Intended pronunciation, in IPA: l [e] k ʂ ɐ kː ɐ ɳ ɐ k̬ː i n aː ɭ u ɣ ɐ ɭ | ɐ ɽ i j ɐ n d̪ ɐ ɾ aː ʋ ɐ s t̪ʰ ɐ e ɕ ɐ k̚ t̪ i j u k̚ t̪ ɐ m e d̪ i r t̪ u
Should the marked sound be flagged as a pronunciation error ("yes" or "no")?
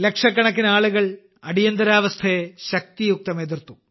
no